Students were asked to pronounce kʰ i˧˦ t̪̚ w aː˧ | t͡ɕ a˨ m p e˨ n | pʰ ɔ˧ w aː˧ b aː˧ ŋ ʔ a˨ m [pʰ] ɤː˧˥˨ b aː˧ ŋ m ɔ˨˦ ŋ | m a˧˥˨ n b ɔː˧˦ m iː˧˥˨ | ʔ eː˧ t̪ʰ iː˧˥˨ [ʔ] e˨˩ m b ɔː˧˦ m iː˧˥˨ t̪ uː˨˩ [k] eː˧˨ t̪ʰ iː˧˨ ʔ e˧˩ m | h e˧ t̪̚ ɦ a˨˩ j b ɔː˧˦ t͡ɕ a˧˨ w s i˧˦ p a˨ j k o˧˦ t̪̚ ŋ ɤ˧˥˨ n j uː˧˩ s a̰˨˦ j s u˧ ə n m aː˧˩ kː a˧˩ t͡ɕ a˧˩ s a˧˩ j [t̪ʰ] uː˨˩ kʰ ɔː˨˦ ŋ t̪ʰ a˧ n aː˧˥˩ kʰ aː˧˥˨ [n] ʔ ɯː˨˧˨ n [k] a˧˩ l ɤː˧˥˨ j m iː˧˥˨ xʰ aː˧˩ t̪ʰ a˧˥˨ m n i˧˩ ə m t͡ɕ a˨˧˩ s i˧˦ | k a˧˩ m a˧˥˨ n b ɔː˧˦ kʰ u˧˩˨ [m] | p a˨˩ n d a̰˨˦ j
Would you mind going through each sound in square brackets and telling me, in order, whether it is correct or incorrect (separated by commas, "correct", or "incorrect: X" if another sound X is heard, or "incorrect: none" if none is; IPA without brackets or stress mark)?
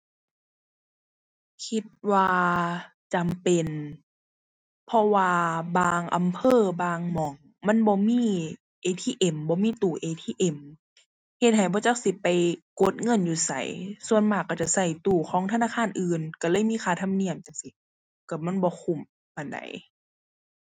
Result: correct, correct, incorrect: ʔ, incorrect: t̪, correct, correct, correct